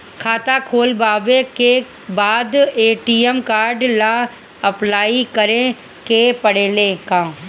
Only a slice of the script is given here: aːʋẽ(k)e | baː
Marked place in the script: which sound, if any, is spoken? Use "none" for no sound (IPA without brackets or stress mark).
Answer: k